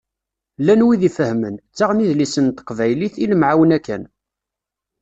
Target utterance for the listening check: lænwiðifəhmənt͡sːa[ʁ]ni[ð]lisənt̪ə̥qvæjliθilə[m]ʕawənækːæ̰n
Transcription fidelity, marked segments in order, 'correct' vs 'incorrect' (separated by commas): correct, correct, correct